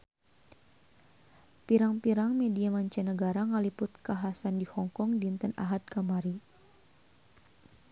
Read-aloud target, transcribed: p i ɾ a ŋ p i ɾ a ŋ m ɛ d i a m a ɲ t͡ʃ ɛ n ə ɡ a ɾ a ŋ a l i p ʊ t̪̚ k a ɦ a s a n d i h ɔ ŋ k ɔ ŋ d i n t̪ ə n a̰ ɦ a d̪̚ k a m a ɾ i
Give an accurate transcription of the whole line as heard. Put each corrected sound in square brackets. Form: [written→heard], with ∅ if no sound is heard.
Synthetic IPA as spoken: p i ɾ a ŋ p i ɾ a ŋ m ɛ d i a m a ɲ t͡ʃ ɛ n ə ɡ a ɾ a ŋ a l i p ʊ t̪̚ k a ɦ a s a n d i h ɔ ŋ k ɔ ŋ d i n t̪ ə n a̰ ɦ a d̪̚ k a m a ɾ i